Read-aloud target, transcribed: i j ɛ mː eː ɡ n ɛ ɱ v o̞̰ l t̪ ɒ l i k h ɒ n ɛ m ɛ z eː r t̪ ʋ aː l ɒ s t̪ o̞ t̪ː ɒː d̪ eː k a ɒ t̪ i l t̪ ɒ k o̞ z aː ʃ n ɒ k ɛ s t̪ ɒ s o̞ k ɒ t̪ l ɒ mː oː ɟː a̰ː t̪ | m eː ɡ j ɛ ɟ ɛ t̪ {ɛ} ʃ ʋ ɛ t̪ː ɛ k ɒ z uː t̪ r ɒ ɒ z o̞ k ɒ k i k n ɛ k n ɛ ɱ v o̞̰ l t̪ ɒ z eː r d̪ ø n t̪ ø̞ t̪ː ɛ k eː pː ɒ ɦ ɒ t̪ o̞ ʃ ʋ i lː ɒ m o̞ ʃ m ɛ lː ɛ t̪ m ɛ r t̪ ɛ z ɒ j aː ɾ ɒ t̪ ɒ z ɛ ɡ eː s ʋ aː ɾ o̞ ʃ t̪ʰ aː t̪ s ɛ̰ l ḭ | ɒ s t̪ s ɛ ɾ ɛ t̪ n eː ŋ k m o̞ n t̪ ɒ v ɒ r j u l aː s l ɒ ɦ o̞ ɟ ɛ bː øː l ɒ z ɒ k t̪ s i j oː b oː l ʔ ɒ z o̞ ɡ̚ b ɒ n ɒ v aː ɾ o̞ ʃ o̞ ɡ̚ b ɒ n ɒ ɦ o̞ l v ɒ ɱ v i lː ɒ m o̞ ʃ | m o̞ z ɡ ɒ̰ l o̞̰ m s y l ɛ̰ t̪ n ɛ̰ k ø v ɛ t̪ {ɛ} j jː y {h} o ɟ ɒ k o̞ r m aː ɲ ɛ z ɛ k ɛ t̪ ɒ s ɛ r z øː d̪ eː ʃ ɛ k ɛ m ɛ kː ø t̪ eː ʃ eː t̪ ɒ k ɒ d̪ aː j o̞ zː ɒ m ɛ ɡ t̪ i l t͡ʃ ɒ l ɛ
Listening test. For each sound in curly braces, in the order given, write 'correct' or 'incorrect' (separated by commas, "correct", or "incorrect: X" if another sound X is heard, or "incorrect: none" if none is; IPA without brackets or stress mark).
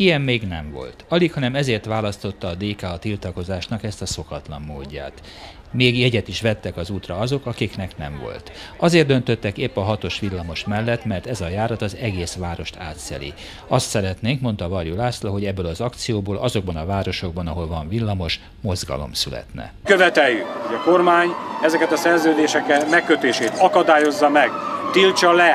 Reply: incorrect: i, correct, correct